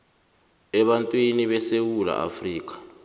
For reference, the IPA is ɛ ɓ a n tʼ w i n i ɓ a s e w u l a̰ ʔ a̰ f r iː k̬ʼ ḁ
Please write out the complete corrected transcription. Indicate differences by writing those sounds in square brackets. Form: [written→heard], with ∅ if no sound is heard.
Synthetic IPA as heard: ɛ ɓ a n tʼ w i n i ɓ [a→ɛ] s e w u l a̰ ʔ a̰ f r iː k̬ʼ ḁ

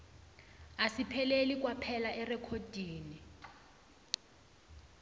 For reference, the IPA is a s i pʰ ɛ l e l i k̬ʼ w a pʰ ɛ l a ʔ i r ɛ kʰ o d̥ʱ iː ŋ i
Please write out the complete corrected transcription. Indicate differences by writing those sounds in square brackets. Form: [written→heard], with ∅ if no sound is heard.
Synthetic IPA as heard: a s i pʰ ɛ l e l i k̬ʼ w a pʰ ɛ l a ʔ [i→ɛ] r ɛ kʰ o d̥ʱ iː [ŋ→n] i

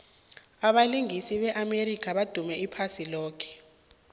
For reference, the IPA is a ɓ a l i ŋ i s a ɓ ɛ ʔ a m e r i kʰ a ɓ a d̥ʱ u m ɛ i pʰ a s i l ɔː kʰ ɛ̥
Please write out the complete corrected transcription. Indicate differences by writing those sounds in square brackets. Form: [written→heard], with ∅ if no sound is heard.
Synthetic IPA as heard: a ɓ a l i ŋ i s [a→i] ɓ ɛ ʔ a m e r i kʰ a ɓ a d̥ʱ u m ɛ i pʰ a s i l ɔː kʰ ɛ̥

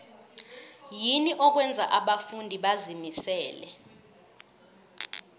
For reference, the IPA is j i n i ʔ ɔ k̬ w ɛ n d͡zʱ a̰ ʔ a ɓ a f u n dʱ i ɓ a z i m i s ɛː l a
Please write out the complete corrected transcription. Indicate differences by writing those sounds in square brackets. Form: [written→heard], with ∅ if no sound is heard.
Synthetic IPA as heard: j i n i ʔ ɔ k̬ w ɛ n d͡zʱ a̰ ʔ a ɓ a f u n dʱ i ɓ a z i m i s ɛː l [a→ɛ]

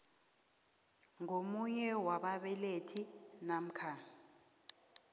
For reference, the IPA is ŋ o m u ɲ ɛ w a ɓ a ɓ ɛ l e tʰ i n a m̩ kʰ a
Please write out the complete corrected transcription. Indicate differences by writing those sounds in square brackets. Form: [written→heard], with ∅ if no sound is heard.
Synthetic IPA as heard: ŋ o m u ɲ ɛ w a ɓ a ɓ ɛ l e tʰ i n a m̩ kʰ a

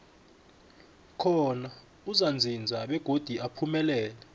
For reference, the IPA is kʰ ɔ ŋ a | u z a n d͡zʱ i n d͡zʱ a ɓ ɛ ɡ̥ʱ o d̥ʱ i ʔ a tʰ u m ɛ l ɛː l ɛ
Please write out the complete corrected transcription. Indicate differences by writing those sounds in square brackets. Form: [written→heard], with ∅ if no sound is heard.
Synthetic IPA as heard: kʰ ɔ [ŋ→n] a | u z a n d͡zʱ i n d͡zʱ a ɓ ɛ ɡ̥ʱ o d̥ʱ i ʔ a [tʰ→pʰ] u m ɛ l ɛː l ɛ

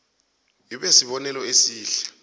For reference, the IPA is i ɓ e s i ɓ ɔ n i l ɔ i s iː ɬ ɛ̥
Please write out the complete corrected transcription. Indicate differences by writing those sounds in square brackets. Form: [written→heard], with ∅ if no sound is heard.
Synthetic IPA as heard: i ɓ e s i ɓ ɔ n [i→ɛ] l ɔ [i→e] s iː ɬ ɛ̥

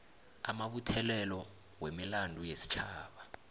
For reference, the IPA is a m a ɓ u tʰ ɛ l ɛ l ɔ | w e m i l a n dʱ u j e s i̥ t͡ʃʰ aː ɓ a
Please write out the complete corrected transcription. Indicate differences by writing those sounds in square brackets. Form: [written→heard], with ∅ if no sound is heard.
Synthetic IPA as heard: a m a ɓ u tʰ ɛ l ɛ l ɔ | w e m i l a n dʱ u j e s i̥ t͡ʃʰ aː ɓ a

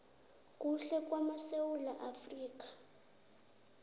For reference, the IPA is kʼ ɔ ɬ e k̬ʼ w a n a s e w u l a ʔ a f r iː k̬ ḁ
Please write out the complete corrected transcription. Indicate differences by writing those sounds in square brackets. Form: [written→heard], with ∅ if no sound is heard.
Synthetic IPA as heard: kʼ [ɔ→u] ɬ [e→ɛ] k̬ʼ w a [n→m] a s e w u l a ʔ a f r iː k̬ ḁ

